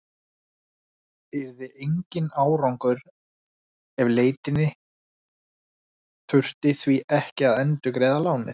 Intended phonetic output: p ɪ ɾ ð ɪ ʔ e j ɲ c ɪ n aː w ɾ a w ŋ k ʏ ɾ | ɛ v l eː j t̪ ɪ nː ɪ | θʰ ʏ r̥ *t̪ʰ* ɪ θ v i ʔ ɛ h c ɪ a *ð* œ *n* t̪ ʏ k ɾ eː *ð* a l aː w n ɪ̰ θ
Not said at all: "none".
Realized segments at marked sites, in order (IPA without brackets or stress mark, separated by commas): t̪, ð, n, ð